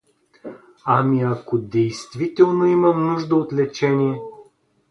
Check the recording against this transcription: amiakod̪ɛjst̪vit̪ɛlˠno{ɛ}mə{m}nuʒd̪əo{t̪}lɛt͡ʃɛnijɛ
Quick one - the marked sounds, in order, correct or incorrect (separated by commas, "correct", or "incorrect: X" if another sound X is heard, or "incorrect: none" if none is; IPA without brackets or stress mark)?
incorrect: i, correct, correct